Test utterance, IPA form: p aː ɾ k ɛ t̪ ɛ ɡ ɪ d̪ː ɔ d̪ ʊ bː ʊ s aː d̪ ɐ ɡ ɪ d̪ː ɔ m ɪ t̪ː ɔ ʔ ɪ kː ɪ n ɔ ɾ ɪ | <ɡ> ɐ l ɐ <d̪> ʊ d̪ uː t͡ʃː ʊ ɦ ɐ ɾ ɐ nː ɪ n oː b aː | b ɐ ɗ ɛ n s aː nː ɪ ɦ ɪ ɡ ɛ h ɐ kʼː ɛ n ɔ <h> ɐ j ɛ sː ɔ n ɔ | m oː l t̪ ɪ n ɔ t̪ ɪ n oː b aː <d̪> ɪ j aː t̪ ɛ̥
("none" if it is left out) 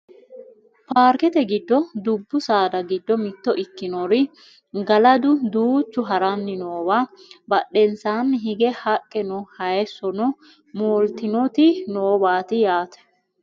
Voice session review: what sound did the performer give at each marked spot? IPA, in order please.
ɡ, d̪, h, t̪

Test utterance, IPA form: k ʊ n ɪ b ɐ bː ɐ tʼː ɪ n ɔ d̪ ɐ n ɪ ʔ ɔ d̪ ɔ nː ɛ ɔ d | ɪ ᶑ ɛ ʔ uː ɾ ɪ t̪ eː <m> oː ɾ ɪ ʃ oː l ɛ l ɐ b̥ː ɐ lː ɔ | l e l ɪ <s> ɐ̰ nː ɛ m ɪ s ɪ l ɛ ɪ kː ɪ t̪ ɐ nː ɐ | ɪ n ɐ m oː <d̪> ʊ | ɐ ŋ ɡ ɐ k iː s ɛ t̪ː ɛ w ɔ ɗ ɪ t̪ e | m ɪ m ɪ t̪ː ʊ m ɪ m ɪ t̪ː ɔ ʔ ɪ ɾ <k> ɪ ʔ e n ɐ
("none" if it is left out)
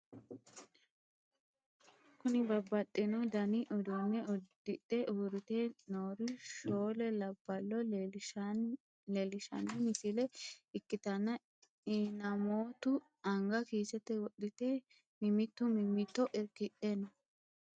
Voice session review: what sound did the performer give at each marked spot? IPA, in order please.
n, ʃ, t̪, k

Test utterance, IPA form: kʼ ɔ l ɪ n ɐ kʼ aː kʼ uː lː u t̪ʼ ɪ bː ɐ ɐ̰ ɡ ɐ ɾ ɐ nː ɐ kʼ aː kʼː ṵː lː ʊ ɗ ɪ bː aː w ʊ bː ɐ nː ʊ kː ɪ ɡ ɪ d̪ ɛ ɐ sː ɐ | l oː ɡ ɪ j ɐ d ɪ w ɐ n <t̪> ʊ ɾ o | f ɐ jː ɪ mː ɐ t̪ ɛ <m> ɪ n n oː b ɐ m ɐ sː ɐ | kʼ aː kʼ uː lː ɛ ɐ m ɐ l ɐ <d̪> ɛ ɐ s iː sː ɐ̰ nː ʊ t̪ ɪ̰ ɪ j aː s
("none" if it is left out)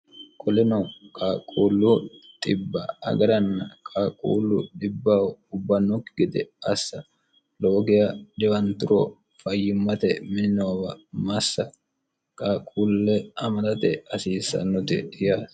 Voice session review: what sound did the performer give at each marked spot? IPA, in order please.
t̪, m, t̪

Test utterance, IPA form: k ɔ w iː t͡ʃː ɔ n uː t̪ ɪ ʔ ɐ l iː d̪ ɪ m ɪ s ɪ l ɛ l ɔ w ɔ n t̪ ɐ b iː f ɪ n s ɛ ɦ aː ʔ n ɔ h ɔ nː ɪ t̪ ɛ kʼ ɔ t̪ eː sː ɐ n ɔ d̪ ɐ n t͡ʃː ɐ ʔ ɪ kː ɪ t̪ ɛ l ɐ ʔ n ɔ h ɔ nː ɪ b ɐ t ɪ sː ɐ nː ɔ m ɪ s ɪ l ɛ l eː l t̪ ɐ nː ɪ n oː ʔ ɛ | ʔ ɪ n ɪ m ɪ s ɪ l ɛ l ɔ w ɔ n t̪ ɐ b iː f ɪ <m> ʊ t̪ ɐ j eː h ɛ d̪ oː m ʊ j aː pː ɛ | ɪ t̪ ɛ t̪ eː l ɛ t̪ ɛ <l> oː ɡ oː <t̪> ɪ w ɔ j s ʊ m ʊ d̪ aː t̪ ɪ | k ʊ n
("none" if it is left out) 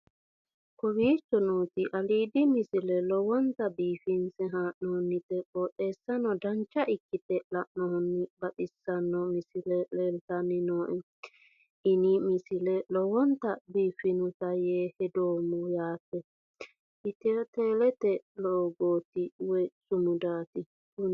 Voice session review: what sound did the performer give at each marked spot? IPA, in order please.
n, l, t̪

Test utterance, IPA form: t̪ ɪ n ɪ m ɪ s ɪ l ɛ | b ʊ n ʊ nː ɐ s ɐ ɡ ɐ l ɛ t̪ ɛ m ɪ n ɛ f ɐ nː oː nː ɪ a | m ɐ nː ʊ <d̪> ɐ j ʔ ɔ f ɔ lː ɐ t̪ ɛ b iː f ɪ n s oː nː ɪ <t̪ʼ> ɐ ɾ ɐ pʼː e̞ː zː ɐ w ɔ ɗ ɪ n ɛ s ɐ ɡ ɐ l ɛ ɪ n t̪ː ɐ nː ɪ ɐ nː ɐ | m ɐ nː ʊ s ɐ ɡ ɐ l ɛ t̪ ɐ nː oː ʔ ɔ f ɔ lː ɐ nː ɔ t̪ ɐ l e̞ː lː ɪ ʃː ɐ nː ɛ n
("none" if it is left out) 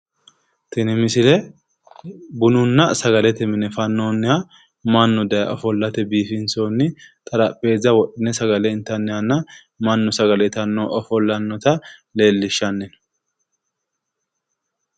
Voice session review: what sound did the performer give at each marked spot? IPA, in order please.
d̪, t̪ʼ

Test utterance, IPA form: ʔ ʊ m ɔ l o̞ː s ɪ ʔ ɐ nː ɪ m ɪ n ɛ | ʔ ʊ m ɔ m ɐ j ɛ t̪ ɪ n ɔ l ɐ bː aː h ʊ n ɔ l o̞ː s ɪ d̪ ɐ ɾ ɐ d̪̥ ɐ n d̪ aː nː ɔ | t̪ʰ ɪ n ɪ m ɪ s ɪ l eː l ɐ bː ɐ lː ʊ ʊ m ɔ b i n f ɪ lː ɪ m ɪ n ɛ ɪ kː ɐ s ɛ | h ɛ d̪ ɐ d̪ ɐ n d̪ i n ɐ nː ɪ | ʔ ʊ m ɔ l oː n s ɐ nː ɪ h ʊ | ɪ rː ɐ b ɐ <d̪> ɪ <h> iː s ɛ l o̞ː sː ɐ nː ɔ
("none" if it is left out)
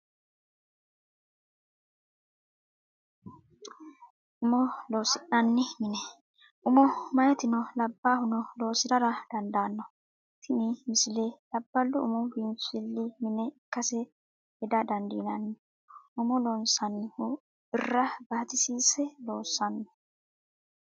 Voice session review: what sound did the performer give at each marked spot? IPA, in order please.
t̪, s

